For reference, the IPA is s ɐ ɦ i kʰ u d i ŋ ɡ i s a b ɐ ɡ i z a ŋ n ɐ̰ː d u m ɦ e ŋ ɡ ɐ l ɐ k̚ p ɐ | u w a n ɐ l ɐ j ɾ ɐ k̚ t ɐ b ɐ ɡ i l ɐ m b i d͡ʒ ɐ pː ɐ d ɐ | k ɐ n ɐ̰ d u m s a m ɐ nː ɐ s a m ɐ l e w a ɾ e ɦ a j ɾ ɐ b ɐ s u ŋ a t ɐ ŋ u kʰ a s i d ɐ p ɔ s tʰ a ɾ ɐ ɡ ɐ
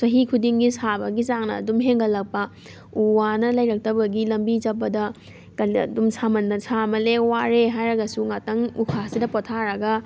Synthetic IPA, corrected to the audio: s ɐ ɦ i kʰ u d i ŋ ɡ i s a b ɐ ɡ i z a ŋ n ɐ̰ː d u m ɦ e ŋ ɡ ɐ l ɐ k̚ p ɐ | u w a n ɐ l ɐ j ɾ ɐ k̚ t ɐ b ɐ ɡ i l ɐ m b i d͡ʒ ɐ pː ɐ d ɐ | k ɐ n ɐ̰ d u m s a m ɐ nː ɐ s a m ɐ l e w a ɾ e ɦ a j ɾ ɐ ɡ ɐ s u ŋ a t ɐ ŋ u kʰ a s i d ɐ p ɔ tʰ a ɾ ɐ ɡ ɐ